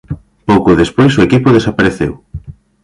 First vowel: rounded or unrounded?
rounded